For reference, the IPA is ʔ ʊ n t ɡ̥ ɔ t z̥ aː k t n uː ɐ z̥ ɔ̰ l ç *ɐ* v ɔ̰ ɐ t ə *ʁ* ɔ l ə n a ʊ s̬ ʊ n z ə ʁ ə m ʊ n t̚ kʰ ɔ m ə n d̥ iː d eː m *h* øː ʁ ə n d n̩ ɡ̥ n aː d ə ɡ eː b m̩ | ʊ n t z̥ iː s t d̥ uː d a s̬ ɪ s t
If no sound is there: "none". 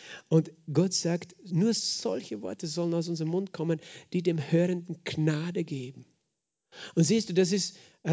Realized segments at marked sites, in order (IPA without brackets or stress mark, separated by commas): ə, z, h